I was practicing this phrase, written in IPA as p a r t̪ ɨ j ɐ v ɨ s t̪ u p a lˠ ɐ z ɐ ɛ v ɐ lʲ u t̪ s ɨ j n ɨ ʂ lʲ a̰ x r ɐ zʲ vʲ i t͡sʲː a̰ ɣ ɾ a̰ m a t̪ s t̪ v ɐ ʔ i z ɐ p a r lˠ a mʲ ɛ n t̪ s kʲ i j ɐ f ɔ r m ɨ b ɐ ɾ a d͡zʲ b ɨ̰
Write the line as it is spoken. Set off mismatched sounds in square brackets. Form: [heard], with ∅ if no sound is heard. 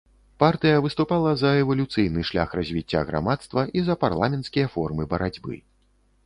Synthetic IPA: p a r t̪ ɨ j ɐ v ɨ s t̪ u p a lˠ ɐ z ɐ ɛ v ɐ lʲ u t̪ s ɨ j n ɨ ʂ lʲ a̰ x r ɐ zʲ vʲ i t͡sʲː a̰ ɣ ɾ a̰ m a t̪ s t̪ v ɐ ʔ i z ɐ p a r lˠ a mʲ ɛ n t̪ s kʲ i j ɐ f ɔ r m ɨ b ɐ ɾ a d͡zʲ b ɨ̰